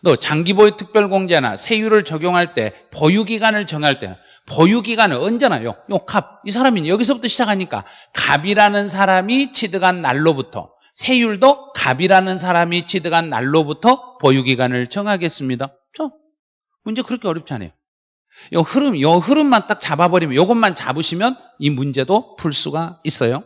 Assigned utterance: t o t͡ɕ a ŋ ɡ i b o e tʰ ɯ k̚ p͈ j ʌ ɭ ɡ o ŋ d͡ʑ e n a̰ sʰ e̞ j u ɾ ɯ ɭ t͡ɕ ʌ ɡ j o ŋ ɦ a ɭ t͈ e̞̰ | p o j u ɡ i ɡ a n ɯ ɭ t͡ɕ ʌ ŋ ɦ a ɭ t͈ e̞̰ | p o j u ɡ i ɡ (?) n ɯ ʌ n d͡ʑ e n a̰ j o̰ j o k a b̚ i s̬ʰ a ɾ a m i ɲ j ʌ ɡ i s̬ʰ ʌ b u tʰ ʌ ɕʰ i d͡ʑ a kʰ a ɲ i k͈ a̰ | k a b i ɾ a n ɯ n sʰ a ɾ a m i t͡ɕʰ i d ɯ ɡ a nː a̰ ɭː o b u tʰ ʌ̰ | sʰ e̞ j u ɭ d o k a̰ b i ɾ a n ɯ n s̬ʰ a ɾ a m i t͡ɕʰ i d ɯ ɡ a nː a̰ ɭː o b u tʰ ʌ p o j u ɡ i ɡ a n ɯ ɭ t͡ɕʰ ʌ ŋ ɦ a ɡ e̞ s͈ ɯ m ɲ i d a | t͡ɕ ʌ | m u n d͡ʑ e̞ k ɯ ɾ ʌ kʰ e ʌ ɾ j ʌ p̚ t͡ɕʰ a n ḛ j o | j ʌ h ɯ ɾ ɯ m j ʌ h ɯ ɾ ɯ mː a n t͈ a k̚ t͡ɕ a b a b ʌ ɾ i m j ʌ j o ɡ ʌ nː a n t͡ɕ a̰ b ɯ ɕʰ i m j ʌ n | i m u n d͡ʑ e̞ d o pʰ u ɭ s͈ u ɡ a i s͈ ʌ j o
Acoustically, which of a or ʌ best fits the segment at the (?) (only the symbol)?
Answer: a